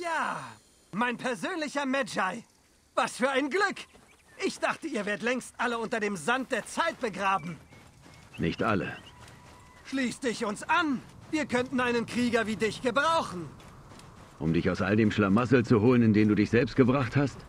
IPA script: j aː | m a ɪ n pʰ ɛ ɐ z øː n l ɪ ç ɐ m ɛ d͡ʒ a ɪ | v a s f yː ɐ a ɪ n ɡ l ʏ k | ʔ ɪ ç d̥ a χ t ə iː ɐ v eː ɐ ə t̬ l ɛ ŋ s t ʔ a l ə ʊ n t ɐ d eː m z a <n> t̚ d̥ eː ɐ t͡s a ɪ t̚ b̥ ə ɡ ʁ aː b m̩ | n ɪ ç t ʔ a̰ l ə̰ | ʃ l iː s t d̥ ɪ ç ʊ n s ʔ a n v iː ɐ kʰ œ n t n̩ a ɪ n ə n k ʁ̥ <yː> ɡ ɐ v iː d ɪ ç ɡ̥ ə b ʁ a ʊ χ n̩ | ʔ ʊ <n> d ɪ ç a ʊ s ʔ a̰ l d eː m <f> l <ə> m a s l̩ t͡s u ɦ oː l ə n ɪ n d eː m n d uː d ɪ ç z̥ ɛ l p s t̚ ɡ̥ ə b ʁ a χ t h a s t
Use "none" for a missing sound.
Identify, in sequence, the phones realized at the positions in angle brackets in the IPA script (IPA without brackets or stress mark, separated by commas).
n, iː, m, ʃ, a